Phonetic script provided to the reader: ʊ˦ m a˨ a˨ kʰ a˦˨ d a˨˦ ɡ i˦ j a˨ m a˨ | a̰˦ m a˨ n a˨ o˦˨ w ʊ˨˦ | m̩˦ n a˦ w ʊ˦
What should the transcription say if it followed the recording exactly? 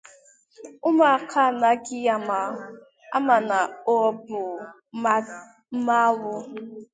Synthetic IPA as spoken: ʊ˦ m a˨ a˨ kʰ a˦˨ n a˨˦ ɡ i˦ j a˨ m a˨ | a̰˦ m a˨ n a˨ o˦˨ b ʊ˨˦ | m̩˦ m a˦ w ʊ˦

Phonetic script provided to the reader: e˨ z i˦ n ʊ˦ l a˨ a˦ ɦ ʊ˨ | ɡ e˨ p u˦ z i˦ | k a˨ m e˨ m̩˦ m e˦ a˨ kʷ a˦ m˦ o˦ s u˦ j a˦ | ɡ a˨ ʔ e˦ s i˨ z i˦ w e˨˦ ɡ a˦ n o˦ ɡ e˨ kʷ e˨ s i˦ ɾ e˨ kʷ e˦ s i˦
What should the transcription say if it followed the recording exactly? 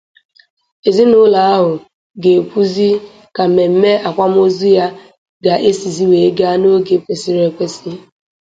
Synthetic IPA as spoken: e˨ z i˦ n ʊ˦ l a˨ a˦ ɦ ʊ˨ | ɡ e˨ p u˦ z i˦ | k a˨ m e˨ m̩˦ m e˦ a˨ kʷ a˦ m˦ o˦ z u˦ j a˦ | ɡ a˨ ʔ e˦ s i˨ z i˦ w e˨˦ ɡ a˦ n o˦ ɡ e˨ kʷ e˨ s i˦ ɾ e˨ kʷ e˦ s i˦

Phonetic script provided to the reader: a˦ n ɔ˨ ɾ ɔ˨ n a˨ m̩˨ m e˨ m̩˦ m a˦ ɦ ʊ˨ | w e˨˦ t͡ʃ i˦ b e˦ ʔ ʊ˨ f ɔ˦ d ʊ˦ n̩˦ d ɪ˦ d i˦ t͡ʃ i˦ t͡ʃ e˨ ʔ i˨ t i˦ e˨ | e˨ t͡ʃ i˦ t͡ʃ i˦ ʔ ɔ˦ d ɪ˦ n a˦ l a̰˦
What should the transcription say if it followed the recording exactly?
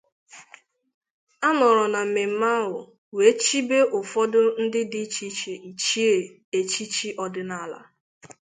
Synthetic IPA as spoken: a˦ n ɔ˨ ɾ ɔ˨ n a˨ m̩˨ m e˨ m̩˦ m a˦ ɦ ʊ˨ | w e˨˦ t͡ʃ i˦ b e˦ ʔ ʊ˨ f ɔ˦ d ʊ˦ n̩˦ d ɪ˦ d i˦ t͡ʃ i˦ t͡ʃ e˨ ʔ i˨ t͡ʃ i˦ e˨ | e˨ t͡ʃ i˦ t͡ʃ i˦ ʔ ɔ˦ d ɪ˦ n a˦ l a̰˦

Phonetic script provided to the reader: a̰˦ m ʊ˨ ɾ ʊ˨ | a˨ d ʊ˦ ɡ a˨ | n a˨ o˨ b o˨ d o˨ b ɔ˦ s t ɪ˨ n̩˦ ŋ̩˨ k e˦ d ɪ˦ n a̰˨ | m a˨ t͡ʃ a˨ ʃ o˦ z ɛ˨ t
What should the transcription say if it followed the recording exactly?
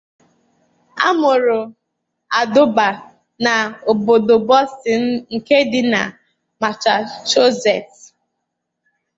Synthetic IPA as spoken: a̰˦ m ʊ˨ ɾ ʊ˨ | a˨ d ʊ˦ b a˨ | n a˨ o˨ b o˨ d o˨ b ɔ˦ s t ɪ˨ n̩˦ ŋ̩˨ k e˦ d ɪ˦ n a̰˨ | m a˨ t͡ʃ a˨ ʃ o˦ z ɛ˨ t

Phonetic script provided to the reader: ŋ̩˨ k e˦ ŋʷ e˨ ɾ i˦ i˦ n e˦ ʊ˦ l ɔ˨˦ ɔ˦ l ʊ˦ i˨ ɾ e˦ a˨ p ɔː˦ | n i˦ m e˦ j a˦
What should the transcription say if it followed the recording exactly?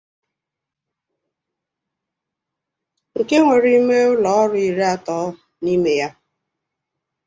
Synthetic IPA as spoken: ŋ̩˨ k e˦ ŋʷ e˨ ɾ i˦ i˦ m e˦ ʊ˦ l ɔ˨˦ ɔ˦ ɾ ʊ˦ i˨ ɾ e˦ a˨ t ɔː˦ | n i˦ m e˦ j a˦

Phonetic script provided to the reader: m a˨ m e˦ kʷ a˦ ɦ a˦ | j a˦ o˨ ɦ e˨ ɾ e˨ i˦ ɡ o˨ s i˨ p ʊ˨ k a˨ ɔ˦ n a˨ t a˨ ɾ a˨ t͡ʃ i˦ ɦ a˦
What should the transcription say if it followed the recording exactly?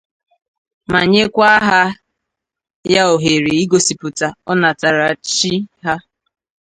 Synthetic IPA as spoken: m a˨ ɲ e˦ kʷ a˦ ɦ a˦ | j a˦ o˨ ɦ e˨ ɾ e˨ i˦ ɡ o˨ s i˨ p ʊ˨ t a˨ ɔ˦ n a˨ t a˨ ɾ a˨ t͡ʃ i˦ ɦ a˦

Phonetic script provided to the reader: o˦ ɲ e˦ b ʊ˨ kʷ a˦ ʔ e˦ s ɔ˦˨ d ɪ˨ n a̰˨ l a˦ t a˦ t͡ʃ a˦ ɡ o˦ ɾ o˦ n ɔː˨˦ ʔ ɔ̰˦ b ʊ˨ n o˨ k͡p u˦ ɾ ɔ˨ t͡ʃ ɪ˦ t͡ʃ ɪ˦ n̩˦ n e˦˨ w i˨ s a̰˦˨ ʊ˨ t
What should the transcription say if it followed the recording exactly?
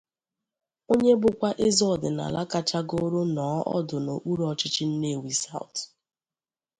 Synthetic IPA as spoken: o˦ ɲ e˦ b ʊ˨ kʷ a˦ ʔ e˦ z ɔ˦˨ d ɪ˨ n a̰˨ l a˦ k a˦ t͡ʃ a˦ ɡ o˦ ɾ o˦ n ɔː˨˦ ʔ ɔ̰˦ d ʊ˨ n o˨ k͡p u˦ ɾ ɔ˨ t͡ʃ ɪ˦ t͡ʃ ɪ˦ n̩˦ n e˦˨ w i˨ s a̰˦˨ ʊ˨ t

